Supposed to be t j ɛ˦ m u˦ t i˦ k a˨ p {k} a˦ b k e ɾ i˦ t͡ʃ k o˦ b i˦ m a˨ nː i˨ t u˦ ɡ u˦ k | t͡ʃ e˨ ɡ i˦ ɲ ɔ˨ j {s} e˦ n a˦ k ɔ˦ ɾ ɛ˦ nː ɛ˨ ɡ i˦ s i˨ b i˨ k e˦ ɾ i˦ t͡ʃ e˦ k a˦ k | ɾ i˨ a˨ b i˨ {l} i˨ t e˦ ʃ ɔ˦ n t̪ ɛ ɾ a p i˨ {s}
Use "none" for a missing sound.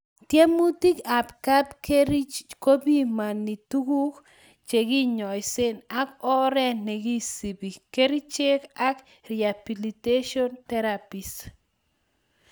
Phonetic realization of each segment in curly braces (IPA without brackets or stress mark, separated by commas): k, s, l, s